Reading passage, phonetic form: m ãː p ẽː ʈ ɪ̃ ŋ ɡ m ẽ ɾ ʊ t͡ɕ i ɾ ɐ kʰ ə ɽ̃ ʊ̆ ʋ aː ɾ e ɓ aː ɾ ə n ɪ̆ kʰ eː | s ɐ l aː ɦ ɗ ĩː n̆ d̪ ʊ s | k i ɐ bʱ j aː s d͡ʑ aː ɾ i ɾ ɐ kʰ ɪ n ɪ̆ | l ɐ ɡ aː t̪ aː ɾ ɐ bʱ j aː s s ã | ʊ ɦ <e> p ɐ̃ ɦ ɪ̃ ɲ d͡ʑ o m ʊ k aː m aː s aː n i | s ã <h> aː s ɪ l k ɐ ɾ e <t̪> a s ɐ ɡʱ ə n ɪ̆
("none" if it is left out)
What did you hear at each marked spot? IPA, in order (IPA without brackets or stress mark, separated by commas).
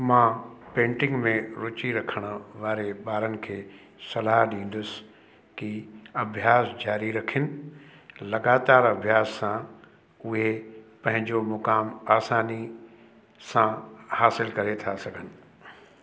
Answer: e, h, t̪ʰ